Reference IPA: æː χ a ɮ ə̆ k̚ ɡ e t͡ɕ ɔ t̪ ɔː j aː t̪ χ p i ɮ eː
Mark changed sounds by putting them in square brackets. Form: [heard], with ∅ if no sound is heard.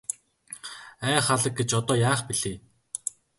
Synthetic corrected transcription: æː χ a ɮ ə̆ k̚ ɡ e t͡ɕ ɔ t̪ ɔː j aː [∅] χ p i ɮ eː